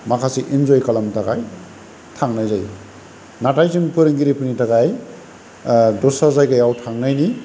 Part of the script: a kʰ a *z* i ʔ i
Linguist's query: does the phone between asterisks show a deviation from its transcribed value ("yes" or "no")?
yes